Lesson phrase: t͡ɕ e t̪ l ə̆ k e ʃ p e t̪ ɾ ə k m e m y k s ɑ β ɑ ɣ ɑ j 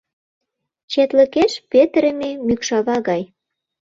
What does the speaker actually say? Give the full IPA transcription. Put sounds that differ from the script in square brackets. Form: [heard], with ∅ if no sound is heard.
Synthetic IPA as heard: t͡ɕ e t̪ l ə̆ k e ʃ p e t̪ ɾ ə [∅] m e m y k [ʃ] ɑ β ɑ ɣ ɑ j

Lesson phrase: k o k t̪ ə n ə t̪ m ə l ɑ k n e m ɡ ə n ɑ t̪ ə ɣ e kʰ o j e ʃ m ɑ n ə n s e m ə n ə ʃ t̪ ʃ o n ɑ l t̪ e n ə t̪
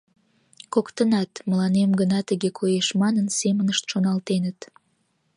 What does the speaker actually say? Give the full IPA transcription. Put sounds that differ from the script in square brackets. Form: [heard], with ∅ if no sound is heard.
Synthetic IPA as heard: k o k t̪ ə n [ɑ] t̪ m ə l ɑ [∅] n e m ɡ ə n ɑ t̪ ə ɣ e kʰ o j e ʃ m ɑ n ə n s e m ə n ə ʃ t̪ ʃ o n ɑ l t̪ e n ə t̪

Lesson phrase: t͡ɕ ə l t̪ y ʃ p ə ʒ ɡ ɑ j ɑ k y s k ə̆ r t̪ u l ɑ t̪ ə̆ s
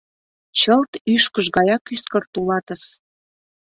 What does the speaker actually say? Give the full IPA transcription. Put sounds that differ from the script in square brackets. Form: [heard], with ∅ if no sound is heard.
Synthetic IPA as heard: t͡ɕ ə l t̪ y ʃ [k] ə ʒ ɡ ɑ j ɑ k y s k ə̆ r t̪ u l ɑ t̪ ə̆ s

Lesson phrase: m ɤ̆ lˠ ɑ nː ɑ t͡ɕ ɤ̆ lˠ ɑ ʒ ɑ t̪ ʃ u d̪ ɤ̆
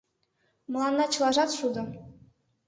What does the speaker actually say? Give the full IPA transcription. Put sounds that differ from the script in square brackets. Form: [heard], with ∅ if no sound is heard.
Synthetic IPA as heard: m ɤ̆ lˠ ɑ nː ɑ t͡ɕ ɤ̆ lˠ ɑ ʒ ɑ t̪ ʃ u d̪ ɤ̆

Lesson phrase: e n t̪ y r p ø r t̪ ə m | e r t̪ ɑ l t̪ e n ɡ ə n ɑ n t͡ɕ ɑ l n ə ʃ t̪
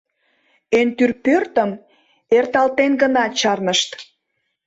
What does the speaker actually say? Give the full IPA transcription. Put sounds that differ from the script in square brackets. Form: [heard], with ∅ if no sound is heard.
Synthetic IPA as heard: e n t̪ y r p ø r t̪ ə m | e r t̪ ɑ l t̪ e n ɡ ə n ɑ [∅] t͡ɕ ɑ [r] n ə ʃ t̪

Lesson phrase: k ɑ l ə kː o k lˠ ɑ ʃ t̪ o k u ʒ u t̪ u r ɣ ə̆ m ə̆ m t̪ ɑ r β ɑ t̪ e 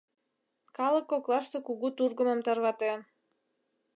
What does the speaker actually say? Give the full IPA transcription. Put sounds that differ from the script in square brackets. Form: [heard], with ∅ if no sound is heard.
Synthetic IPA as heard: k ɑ l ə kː o k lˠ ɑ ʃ t̪ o k u [ɣ] u t̪ u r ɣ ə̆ m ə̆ m t̪ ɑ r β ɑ t̪ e

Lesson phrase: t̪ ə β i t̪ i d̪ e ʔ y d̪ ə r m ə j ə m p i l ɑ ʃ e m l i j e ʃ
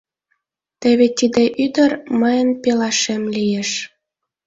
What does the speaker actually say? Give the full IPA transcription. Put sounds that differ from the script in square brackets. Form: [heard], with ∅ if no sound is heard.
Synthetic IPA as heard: t̪ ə β [e] t̪ i d̪ e ʔ y d̪ ə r m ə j ə [n] p [e] l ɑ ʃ e m l i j e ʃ

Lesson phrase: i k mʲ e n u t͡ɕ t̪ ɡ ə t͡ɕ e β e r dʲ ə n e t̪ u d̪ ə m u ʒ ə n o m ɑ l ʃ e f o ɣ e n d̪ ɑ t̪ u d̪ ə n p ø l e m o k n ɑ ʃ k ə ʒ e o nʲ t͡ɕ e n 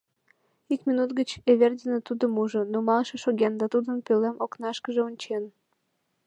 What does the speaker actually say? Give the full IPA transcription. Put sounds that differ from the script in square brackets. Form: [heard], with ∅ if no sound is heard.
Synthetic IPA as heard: i k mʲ [i] n u [∅] t̪ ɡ ə t͡ɕ e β e r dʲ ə n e t̪ u d̪ ə m u ʒ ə n o m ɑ l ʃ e [ʃ] o ɣ e n d̪ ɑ t̪ u d̪ ə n p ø l e m o k n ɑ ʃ k ə ʒ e o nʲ t͡ɕ e n

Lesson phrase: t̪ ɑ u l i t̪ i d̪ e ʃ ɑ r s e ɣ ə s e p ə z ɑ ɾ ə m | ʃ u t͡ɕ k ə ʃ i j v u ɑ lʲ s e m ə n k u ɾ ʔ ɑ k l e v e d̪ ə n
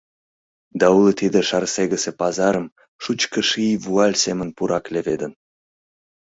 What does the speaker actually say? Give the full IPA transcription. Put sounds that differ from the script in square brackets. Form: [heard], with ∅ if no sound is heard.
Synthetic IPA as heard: [d̪] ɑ u l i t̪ i d̪ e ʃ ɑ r s e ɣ ə s e p [ɑ] z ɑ ɾ ə m | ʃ u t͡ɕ k ə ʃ i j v u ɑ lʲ s e m ə n [p] u ɾ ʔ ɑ k l e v e d̪ ə n

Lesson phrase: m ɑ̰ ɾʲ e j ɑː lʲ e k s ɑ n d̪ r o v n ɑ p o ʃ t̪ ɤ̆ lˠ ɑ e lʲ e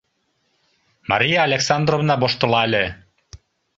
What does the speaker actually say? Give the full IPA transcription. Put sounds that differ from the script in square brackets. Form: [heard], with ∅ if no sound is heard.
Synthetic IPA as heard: m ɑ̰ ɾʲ [i] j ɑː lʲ e k s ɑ n d̪ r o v n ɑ [b] o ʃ t̪ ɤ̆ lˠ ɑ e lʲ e

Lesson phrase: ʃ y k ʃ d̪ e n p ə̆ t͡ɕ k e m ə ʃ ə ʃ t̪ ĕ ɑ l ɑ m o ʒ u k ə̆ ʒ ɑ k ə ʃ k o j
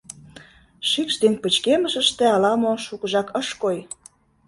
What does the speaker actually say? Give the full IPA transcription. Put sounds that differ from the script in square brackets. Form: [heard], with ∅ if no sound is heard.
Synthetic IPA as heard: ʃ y k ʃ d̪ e n p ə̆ t͡ɕ k e m ə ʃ ə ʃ t̪ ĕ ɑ l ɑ m o [ʃ] u k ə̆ ʒ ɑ k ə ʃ k o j

